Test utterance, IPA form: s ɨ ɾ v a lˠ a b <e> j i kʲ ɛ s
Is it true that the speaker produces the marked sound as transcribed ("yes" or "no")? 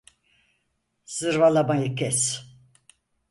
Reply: no